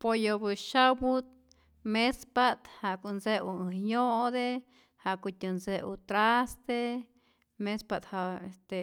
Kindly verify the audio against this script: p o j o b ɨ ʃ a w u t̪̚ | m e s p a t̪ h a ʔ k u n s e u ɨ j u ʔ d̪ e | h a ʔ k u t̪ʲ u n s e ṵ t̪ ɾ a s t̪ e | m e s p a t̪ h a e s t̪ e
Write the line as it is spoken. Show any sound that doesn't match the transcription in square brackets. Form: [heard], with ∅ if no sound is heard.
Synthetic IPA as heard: p o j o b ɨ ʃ a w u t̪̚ | m e s p a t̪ h a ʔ k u n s e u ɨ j [o] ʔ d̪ e | h a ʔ k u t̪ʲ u n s e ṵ t̪ ɾ a s t̪ e | m e s p a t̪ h a e s t̪ e